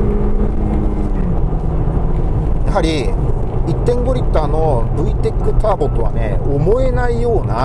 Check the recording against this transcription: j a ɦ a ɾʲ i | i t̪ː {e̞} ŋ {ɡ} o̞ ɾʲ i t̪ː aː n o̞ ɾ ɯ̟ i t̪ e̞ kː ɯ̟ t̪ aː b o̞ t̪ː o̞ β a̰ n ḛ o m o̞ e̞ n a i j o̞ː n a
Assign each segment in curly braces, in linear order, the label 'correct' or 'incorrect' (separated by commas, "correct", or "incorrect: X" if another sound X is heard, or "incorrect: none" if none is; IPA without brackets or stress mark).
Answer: incorrect: ẽ̞, correct